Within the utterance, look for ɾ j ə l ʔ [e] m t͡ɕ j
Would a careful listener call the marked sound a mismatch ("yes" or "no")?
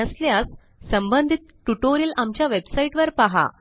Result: yes